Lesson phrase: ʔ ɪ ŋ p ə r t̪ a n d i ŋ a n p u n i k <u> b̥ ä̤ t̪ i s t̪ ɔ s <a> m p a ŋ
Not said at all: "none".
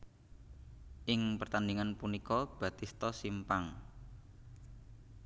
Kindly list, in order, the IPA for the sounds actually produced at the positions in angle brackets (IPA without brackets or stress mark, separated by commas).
ɔ, i